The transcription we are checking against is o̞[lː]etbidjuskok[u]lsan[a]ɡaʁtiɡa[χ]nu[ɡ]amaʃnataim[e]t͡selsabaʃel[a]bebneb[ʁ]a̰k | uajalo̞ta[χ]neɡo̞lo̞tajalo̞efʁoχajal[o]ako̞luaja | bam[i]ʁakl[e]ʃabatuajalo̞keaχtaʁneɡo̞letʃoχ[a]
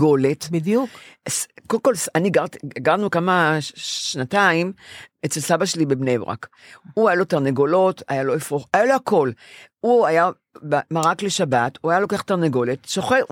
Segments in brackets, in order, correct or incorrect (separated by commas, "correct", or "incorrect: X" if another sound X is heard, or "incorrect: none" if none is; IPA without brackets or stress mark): incorrect: l, incorrect: o, incorrect: i, incorrect: ʁ, incorrect: k, correct, incorrect: i, correct, incorrect: ʁ, correct, incorrect: a, correct, incorrect: e